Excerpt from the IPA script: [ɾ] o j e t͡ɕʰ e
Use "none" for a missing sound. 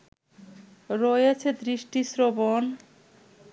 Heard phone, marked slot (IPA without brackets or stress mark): ɾ